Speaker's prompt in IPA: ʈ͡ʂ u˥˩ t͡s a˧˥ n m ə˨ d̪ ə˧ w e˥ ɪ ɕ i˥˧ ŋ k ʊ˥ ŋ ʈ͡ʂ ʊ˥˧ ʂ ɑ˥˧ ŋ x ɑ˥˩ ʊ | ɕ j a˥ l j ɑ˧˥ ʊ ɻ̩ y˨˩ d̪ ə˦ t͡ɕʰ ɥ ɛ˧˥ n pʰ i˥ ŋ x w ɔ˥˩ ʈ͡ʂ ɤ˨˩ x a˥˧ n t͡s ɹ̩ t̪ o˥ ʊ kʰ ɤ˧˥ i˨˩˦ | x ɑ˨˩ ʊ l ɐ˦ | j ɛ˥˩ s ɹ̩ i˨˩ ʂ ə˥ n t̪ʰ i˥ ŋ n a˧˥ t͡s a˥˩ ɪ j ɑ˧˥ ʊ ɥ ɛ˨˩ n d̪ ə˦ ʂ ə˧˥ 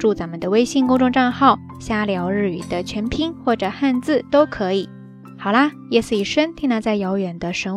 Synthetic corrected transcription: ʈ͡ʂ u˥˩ t͡s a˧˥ n m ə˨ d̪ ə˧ w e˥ ɪ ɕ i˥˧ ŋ k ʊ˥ ŋ ʈ͡ʂ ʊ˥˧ ʈ͡ʂ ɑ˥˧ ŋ x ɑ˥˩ ʊ | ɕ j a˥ l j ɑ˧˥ ʊ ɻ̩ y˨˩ d̪ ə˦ t͡ɕʰ ɥ ɛ˧˥ n pʰ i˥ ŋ x w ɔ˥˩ ʈ͡ʂ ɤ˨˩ x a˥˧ n t͡s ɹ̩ t̪ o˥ ʊ kʰ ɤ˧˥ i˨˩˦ | x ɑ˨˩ ʊ l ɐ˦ | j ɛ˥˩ s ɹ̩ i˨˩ ʂ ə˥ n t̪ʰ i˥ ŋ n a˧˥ t͡s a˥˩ ɪ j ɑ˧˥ ʊ ɥ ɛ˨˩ n d̪ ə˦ ʂ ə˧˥